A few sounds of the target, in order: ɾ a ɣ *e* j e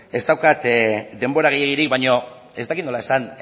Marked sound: correct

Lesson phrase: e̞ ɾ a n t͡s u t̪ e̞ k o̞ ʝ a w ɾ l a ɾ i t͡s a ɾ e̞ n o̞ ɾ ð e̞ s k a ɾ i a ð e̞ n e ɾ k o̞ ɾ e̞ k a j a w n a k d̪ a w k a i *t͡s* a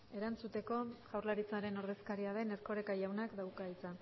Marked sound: correct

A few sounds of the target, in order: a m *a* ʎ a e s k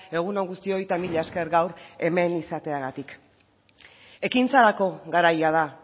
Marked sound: incorrect: i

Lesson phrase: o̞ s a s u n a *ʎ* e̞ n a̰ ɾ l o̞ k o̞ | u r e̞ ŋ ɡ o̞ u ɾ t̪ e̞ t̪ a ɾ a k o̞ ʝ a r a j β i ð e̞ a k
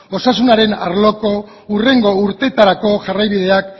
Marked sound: incorrect: ɾ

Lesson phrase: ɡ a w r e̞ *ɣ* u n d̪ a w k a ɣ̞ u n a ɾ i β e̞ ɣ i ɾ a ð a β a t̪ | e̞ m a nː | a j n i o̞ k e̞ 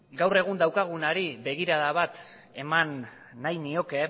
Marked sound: correct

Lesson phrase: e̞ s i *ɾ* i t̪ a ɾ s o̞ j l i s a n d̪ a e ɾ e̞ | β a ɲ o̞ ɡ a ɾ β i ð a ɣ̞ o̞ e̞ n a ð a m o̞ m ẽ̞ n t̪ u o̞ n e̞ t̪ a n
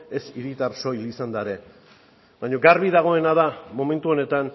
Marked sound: correct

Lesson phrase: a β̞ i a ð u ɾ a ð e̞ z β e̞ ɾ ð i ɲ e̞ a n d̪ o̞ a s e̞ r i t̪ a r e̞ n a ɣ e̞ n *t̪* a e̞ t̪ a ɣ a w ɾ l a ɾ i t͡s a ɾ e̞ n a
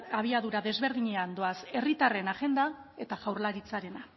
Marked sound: incorrect: d̪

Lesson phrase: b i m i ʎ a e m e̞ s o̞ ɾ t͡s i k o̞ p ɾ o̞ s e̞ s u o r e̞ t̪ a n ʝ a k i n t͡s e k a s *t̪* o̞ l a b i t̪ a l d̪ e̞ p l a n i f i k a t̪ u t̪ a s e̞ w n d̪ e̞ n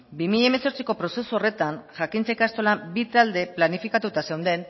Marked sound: correct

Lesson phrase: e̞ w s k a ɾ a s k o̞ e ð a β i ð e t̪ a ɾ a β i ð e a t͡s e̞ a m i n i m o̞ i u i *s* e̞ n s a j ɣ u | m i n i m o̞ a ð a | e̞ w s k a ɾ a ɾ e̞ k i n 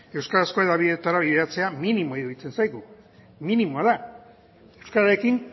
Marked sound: incorrect: t͡s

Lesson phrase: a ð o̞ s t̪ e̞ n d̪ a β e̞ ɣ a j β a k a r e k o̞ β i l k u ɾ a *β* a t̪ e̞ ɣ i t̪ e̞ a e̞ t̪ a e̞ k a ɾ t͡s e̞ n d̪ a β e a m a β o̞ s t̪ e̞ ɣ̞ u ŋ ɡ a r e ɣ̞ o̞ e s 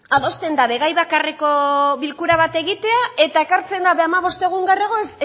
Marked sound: correct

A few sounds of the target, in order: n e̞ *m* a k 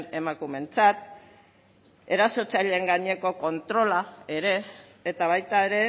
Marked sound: correct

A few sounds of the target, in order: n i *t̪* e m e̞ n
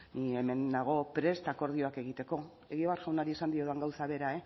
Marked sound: incorrect: none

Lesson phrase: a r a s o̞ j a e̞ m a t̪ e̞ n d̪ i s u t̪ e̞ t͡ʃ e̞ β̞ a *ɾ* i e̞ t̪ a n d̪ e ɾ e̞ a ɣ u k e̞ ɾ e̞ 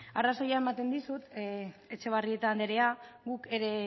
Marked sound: incorrect: r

